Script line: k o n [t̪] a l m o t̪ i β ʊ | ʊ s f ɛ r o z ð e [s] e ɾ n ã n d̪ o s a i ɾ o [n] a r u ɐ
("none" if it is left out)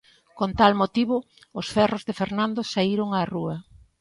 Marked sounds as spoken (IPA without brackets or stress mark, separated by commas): t̪, f, ŋ